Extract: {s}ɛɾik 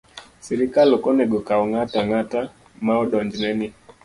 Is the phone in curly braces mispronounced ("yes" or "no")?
no